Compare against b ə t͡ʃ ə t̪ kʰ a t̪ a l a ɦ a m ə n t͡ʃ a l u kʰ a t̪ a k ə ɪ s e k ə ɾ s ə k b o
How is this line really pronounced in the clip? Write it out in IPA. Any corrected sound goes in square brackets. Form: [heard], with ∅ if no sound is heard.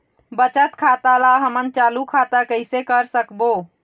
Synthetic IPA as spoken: b ə t͡ʃ ə t̪ kʰ a t̪ a l a ɦ [ə] m ə n t͡ʃ a l u kʰ a t̪ a k ə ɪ s e k ə ɾ s ə k b o